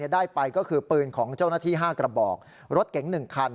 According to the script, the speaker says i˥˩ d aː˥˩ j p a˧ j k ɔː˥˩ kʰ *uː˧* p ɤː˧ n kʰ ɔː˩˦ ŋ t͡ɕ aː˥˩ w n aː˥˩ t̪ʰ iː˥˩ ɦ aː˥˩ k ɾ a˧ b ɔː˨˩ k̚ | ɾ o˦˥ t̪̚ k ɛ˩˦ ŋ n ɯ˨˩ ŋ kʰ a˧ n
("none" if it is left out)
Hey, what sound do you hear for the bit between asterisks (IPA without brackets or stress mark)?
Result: ɯː˧